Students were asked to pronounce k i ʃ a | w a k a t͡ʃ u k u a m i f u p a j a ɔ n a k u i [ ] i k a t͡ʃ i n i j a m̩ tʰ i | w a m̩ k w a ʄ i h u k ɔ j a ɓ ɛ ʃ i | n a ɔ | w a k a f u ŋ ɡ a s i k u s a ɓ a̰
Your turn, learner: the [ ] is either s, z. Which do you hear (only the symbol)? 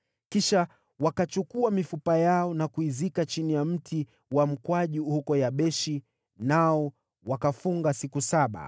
z